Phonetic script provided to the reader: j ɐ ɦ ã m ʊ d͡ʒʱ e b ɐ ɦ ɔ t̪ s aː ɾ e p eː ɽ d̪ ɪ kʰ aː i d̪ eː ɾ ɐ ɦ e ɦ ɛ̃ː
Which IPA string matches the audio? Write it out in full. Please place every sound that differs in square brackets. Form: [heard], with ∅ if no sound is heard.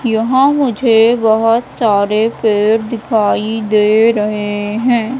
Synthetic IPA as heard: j ɐ ɦ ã m ʊ d͡ʒʱ e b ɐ ɦ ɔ t̪ s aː ɾ e p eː [ɾ] d̪ ɪ kʰ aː i d̪ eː ɾ ɐ ɦ e ɦ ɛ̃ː